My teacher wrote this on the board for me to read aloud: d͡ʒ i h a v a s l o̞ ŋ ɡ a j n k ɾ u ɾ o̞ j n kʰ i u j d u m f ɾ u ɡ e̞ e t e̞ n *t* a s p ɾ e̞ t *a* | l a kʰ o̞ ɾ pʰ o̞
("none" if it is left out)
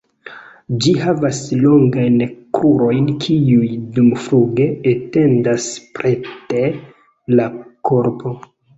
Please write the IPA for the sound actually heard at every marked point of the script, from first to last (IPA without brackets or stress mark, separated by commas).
d, e